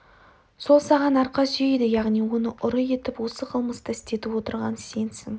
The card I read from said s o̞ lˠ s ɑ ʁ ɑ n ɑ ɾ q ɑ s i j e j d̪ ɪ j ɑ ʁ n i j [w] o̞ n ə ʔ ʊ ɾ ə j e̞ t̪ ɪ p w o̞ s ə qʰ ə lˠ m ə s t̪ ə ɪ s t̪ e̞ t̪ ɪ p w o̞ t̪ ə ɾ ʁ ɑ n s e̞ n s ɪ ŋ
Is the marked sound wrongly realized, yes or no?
no